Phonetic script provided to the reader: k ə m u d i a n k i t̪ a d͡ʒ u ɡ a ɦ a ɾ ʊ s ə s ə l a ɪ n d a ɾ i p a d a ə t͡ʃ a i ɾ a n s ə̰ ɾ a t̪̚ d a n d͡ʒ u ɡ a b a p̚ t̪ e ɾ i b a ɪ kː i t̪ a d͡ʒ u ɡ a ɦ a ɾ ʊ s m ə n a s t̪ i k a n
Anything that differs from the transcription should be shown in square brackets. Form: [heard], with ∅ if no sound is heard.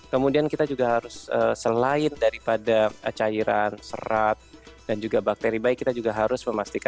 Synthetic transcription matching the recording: k ə m u d i a n k i t̪ a d͡ʒ u ɡ a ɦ a ɾ ʊ s ə s ə l a ɪ n d a ɾ i p a d a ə t͡ʃ a i ɾ a n s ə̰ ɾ a t̪̚ d a n d͡ʒ u ɡ a b a [k̚] t̪ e ɾ i b a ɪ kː i t̪ a d͡ʒ u ɡ a ɦ a ɾ ʊ s m ə [m] a s t̪ i k a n

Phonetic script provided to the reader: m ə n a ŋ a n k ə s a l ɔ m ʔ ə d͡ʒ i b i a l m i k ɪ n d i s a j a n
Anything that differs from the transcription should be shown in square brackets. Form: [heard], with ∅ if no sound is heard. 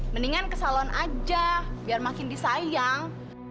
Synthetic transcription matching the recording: m ə n [i] ŋ a n k ə s a l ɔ [n] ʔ [a] d͡ʒ [a] b i a [r] m [a] k ɪ n d i s a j a [ŋ]

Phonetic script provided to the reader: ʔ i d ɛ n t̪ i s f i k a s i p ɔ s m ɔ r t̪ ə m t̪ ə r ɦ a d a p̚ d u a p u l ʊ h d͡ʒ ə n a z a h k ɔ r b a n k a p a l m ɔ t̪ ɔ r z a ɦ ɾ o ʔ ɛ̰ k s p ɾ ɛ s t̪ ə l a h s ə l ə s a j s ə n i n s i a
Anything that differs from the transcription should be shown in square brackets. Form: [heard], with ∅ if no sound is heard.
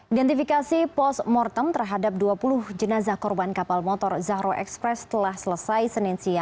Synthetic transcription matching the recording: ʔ i d ɛ n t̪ i [∅] f i k a s i p ɔ s m ɔ r t̪ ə m t̪ ə r ɦ a d a p̚ d u a p u l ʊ h d͡ʒ ə n a z a h k ɔ r b a n k a p a l m ɔ t̪ ɔ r z a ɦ ɾ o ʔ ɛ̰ k s p ɾ ɛ s t̪ ə l a h s ə l ə s a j s ə n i n s i a

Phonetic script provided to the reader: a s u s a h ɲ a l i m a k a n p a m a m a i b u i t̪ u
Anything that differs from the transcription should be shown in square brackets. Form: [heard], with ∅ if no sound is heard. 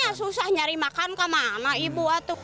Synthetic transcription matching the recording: a s u s a h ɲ a [ɾ] i m a k a n [k] a m a [n] a i b u [a] t̪ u

